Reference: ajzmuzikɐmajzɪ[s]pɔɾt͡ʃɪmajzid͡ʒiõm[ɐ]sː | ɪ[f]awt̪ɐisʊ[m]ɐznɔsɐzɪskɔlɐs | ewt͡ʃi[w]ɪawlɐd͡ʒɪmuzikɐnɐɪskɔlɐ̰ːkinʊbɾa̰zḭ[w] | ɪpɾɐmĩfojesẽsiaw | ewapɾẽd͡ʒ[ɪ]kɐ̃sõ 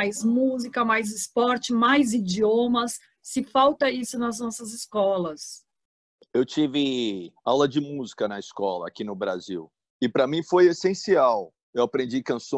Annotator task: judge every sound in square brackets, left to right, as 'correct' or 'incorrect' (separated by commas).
correct, correct, correct, incorrect, incorrect, correct, incorrect